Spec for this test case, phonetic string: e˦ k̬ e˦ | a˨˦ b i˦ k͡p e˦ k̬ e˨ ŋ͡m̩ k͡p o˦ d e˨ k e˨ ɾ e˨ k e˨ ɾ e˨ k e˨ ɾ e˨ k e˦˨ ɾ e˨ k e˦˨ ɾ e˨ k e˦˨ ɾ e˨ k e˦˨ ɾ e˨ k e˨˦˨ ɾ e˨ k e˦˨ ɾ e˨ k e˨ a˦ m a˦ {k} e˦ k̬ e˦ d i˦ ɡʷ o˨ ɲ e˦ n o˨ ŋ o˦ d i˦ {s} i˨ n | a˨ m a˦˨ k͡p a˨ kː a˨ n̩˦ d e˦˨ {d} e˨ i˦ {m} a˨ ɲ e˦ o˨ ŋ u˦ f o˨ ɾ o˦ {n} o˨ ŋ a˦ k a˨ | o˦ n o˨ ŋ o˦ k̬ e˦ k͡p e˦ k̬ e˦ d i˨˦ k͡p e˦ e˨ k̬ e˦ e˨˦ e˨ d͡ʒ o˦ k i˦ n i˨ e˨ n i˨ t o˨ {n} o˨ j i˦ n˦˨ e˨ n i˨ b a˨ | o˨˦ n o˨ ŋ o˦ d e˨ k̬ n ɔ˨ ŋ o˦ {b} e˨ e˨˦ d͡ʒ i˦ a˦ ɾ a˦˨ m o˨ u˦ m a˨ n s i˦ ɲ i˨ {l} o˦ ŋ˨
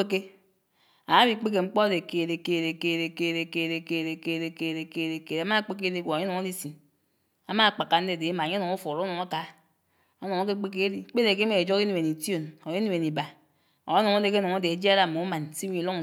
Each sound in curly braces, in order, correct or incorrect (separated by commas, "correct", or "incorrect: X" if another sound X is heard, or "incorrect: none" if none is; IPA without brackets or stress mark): incorrect: k͡p, correct, correct, correct, correct, correct, incorrect: d, correct